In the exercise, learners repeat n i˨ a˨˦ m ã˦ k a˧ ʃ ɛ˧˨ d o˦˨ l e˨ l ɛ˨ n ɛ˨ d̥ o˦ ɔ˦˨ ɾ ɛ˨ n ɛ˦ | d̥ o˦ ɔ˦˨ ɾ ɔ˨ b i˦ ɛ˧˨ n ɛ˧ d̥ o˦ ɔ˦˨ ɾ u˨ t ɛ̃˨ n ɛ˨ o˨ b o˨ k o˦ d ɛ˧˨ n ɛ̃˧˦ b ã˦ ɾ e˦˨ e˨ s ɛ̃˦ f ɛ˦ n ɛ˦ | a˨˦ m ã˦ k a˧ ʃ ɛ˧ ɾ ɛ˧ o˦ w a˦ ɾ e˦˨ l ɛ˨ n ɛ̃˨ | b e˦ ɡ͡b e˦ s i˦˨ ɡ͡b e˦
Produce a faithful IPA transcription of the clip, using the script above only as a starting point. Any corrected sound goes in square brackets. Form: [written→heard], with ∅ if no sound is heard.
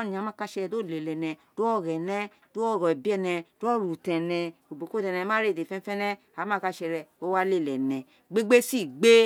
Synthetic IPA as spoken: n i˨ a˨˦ m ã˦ k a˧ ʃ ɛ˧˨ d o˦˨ l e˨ l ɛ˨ n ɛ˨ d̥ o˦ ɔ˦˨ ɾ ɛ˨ n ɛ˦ | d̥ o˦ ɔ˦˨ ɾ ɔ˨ b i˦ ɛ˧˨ n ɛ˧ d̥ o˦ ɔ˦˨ ɾ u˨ t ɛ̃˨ n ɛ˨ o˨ b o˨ k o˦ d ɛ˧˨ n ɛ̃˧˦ [b→m] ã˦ ɾ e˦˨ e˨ [s→f] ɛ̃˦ f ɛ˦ n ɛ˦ | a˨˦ m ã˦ k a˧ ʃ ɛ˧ ɾ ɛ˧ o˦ w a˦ [ɾ→l] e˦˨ l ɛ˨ n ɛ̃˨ | [b→ɡ͡b] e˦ ɡ͡b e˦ s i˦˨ ɡ͡b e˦

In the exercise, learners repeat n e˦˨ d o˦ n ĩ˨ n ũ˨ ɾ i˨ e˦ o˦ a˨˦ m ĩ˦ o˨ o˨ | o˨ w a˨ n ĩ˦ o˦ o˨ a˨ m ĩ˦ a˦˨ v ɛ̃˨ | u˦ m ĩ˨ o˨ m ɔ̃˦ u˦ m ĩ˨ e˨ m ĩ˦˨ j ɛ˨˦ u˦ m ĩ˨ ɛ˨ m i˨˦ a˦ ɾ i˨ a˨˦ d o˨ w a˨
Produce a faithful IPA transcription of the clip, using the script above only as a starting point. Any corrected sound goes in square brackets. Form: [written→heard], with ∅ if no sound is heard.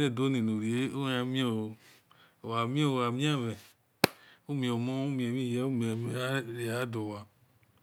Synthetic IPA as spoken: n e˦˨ d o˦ n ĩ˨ n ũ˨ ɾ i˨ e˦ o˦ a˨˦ m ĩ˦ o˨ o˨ | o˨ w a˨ [n→m] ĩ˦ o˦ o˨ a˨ m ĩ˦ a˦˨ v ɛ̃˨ | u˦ m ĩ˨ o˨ m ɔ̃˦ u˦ m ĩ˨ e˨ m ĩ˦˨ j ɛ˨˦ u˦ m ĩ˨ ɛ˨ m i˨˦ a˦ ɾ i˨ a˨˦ d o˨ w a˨

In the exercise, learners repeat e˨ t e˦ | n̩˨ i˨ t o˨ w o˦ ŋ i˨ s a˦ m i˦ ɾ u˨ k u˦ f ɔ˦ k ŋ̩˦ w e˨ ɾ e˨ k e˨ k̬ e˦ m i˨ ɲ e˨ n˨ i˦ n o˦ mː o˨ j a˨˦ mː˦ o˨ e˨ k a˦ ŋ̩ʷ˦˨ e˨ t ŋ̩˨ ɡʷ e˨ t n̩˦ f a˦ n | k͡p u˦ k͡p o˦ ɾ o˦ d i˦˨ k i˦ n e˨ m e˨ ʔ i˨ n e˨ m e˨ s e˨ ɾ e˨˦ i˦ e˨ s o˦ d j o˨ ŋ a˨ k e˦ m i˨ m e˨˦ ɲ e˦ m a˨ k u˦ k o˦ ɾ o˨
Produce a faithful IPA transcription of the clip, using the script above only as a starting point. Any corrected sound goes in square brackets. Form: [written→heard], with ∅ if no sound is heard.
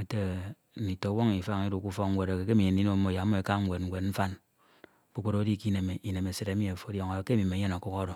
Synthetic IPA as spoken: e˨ t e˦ | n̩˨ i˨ t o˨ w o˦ ŋ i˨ [s→f] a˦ [m→ŋ] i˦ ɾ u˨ k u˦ f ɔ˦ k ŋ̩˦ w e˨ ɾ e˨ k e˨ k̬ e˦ m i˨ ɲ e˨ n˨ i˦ n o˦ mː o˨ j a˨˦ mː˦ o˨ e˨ k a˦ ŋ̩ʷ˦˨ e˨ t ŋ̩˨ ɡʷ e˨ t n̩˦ f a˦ n | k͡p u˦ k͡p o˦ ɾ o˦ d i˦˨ k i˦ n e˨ m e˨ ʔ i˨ n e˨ m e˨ s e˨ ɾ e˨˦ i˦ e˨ [s→f] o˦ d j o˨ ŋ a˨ k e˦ m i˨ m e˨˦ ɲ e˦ [m→n] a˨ k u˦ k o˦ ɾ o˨

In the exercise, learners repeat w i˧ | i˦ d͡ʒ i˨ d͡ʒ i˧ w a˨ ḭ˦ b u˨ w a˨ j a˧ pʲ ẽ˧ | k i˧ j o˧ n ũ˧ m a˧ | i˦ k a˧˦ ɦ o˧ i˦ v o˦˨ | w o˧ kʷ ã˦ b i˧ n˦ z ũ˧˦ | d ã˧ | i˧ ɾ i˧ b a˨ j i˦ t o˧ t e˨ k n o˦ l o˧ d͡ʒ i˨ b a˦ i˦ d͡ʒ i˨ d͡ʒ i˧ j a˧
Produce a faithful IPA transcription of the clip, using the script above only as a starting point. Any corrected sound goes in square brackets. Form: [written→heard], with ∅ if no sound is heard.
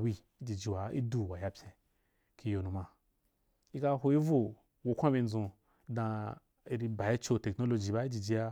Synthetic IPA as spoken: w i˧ | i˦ d͡ʒ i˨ d͡ʒ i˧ w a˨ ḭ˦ [b→d] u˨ w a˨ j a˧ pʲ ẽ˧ | k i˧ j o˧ n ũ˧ m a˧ | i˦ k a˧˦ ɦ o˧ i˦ v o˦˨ | w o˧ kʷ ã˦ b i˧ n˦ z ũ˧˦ | d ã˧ | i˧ ɾ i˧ b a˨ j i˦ [t→t͡ʃ] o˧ t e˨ k n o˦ l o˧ d͡ʒ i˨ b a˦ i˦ d͡ʒ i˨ d͡ʒ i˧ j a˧

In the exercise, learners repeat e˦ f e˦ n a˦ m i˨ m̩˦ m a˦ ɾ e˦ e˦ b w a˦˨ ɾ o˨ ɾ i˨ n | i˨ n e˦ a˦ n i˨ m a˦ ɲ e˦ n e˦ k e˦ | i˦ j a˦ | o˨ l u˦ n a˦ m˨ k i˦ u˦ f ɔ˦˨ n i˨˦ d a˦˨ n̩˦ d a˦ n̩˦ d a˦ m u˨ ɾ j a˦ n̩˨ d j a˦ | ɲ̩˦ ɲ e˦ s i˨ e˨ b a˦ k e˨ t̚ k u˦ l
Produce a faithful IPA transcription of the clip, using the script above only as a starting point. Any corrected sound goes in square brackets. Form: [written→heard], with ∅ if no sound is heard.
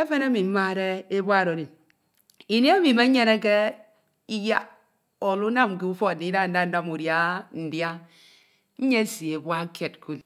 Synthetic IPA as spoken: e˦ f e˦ n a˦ m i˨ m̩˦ m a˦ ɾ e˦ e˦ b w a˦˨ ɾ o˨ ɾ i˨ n | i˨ n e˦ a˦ [n→m] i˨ m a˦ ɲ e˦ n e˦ k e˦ | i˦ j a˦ | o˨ l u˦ n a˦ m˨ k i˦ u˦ f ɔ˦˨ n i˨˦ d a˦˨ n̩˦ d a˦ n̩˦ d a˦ m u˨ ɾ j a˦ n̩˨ d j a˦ | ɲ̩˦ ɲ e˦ s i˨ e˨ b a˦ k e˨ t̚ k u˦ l

